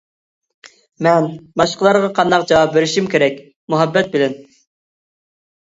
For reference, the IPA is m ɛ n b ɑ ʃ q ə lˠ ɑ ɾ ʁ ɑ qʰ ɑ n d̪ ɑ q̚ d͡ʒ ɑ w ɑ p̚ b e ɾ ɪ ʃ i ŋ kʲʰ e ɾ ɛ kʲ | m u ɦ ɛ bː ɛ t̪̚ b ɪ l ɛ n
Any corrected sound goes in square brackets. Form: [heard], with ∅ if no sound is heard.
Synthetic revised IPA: m ɛ n b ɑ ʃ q ə lˠ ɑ ɾ ʁ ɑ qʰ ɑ n d̪ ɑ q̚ d͡ʒ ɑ w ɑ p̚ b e ɾ ɪ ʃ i [m] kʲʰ e ɾ ɛ kʲ | m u ɦ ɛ bː ɛ t̪̚ b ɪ l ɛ n